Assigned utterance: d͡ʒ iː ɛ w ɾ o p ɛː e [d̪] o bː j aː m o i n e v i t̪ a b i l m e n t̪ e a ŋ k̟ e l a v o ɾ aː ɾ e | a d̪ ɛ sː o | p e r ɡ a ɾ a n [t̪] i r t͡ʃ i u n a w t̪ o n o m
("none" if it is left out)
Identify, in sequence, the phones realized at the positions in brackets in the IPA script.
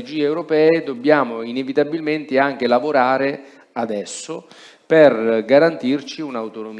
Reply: d̪, t̪

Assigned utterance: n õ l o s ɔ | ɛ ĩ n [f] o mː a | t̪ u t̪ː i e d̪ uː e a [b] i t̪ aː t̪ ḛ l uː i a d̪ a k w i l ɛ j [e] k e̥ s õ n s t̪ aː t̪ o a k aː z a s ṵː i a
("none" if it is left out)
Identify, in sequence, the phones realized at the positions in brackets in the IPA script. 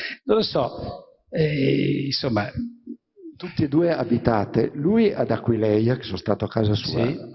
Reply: s, b, a

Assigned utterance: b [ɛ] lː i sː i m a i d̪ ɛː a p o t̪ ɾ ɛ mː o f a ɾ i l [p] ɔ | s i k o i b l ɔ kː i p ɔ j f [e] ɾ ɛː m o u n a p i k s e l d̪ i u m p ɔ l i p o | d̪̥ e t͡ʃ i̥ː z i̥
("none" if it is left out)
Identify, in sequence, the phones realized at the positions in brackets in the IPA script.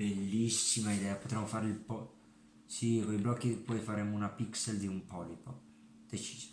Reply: e, p, a

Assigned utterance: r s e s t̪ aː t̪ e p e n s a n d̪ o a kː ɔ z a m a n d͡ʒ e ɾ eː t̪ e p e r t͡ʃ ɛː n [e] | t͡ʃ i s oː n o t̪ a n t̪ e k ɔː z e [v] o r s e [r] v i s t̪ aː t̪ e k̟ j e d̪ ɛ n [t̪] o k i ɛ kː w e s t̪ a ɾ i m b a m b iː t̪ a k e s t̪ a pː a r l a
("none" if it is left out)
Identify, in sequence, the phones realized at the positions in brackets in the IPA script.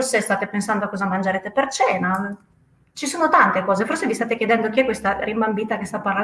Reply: a, f, none, d̪

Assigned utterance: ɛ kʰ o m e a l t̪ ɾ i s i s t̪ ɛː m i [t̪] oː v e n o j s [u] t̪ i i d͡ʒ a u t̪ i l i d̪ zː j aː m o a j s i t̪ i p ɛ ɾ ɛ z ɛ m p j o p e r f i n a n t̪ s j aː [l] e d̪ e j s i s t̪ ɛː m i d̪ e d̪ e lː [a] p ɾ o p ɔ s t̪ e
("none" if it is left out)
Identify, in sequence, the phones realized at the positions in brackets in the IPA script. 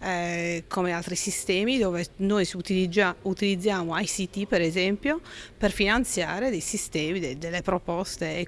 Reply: d̪, u, ɾ, e

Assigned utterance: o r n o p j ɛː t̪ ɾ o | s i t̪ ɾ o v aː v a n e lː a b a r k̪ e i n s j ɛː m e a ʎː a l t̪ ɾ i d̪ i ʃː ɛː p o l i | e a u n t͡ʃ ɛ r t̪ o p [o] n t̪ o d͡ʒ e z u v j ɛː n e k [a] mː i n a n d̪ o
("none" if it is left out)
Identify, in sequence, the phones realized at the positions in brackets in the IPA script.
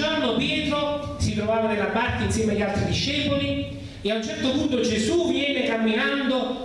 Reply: u, a

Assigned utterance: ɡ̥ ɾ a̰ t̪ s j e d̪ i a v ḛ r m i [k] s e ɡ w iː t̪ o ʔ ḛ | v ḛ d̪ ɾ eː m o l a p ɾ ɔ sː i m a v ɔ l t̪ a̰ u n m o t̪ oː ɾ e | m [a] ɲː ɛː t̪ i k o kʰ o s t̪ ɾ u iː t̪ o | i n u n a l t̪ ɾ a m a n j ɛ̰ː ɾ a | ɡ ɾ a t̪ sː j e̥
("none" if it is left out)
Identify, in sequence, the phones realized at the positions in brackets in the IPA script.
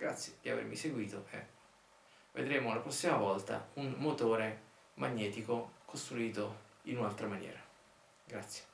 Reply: none, a

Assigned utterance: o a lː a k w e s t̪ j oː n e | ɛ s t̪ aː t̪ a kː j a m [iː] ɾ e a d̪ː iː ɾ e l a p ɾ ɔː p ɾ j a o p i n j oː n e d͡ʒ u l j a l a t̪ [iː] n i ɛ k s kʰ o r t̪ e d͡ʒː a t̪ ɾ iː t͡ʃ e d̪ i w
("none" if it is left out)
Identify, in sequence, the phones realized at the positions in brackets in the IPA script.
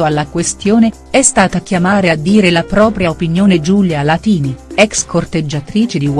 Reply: aː, iː

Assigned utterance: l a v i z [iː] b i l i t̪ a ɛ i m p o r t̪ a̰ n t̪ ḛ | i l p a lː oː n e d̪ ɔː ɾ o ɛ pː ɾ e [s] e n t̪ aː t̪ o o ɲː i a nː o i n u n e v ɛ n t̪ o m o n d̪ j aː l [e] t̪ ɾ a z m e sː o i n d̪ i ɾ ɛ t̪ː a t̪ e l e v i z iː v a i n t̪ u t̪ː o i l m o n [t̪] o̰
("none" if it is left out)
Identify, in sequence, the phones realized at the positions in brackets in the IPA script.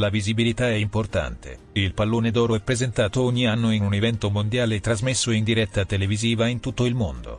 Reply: i, z, e, d̪

